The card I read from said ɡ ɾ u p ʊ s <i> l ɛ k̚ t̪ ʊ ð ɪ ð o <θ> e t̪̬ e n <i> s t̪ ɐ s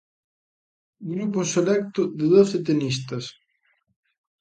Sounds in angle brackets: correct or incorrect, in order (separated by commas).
incorrect, correct, correct